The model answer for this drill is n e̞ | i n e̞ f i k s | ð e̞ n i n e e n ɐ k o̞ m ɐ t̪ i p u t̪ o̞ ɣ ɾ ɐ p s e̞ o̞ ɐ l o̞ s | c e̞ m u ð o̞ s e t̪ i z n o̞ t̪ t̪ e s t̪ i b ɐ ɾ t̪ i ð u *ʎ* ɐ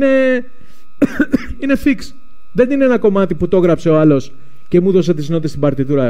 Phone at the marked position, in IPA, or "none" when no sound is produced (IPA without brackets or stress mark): ɾ